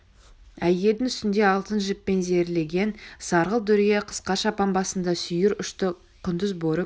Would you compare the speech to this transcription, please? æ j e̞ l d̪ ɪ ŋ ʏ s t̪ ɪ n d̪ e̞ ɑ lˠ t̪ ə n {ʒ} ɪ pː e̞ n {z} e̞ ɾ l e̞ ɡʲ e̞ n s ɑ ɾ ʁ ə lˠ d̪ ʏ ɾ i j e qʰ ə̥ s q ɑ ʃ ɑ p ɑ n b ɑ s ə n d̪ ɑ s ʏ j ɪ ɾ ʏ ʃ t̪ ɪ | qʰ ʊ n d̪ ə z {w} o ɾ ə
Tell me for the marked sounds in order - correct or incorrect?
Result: correct, correct, incorrect: b

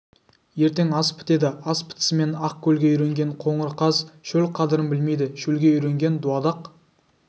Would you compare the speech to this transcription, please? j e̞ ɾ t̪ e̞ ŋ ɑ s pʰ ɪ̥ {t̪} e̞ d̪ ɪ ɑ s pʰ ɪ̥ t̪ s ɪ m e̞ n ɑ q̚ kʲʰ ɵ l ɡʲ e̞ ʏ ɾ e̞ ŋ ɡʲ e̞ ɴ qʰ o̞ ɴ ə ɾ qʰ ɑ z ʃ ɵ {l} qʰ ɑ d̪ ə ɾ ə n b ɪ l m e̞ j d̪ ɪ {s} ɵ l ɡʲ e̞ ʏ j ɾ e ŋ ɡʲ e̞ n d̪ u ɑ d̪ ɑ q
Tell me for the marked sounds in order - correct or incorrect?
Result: correct, correct, incorrect: ʃ

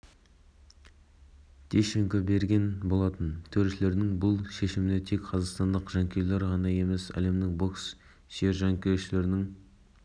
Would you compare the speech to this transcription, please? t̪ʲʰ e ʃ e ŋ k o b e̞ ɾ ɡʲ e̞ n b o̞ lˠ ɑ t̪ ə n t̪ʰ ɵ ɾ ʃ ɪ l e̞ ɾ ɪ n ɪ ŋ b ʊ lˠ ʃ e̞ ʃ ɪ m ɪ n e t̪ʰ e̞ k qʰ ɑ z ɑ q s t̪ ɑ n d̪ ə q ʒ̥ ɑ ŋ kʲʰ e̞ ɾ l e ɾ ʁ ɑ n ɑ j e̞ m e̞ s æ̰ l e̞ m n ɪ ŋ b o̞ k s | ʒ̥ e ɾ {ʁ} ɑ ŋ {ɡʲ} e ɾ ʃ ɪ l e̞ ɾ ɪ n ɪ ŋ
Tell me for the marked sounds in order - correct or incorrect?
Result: incorrect: ʒ, incorrect: kʲ

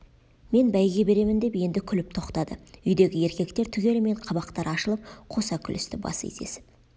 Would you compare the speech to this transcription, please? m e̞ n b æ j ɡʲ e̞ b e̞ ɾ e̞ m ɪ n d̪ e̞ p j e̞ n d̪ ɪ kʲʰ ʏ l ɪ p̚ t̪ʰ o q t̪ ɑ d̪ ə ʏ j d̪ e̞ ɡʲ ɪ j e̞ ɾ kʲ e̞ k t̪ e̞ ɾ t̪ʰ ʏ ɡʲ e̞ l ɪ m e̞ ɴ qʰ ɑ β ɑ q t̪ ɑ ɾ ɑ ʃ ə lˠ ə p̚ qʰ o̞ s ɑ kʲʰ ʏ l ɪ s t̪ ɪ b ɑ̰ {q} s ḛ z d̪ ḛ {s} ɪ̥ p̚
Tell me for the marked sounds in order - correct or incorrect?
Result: incorrect: none, correct

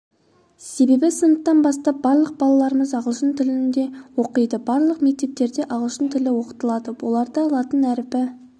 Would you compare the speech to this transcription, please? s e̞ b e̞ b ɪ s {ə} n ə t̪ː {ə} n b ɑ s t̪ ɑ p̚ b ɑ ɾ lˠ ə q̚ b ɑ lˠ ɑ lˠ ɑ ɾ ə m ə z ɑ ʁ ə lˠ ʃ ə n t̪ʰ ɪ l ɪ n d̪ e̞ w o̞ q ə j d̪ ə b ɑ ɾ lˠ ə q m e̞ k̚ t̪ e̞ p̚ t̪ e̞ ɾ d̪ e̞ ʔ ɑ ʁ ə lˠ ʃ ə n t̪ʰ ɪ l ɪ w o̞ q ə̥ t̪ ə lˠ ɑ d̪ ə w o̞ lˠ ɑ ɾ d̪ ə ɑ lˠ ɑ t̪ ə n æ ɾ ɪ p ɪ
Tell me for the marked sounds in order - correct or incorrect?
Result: correct, incorrect: ɑ

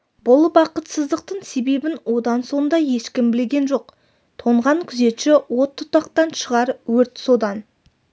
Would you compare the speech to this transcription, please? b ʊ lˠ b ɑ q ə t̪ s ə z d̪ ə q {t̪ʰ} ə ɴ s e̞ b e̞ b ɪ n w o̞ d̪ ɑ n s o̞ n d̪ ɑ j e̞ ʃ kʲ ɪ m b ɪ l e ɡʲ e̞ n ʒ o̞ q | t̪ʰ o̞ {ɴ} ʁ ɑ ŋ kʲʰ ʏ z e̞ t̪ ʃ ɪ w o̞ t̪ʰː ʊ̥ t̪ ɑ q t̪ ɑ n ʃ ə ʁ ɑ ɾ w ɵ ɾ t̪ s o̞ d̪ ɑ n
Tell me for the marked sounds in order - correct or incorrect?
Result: incorrect: t̪, correct

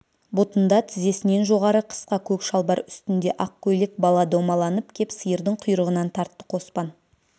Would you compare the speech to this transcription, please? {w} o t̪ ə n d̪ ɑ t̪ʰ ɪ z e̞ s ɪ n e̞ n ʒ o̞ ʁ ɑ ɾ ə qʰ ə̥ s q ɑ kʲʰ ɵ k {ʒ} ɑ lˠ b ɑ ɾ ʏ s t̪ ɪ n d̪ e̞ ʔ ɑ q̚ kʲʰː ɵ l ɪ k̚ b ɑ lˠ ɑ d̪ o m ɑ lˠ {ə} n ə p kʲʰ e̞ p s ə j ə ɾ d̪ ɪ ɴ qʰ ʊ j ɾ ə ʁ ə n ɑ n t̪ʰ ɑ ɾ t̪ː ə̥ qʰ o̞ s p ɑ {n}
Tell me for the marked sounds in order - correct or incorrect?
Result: incorrect: b, incorrect: ʃ, incorrect: ɑ, correct

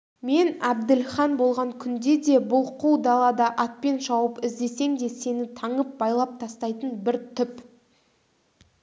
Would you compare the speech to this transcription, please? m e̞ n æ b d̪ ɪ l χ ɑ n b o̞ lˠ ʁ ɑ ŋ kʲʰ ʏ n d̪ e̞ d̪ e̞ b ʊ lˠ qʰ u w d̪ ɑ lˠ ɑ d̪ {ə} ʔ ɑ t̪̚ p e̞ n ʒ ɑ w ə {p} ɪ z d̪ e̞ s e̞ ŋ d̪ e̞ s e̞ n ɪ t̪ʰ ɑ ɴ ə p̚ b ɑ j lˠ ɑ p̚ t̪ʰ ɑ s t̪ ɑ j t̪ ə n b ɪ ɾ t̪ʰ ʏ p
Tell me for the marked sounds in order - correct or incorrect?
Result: incorrect: ɑ, correct

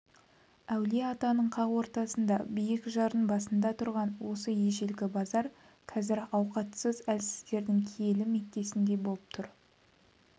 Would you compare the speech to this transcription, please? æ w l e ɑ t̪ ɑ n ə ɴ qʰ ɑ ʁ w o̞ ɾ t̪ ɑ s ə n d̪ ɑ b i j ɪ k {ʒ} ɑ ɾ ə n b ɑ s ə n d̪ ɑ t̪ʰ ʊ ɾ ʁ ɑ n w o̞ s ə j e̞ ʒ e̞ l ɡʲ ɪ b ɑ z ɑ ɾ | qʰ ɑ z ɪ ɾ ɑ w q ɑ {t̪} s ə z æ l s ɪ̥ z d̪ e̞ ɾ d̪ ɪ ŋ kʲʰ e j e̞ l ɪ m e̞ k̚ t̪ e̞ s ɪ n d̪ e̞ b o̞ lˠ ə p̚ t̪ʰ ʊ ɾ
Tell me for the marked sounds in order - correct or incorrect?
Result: correct, correct

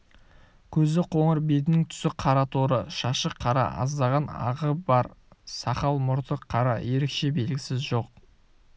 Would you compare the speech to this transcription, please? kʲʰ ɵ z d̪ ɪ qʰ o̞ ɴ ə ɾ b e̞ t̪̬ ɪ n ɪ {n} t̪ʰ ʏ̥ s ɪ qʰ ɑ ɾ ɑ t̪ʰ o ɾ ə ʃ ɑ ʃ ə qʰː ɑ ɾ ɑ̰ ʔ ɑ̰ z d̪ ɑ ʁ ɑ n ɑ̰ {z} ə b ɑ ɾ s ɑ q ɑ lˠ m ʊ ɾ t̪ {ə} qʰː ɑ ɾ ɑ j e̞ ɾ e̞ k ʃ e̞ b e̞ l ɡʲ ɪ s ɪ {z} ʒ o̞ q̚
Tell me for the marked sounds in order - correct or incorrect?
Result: incorrect: ŋ, incorrect: ʁ, correct, correct

